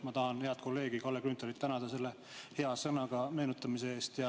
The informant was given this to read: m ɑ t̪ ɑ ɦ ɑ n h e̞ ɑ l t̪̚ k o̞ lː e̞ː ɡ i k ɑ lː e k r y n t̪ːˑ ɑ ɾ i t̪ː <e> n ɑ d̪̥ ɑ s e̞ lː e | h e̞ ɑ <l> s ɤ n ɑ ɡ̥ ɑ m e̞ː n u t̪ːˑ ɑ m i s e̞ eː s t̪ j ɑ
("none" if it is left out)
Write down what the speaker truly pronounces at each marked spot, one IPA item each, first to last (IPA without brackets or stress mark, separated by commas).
æ, none